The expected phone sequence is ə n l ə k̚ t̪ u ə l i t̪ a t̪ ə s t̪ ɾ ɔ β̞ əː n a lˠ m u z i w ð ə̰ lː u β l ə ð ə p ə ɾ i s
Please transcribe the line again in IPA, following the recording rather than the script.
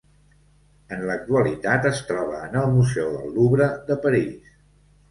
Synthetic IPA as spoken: ə n l ə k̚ t̪ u ə l i t̪ a t̪ ə s t̪ ɾ ɔ β̞ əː n ə lˠ m u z ɛ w ð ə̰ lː u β ɾ ə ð ə p ə ɾ i s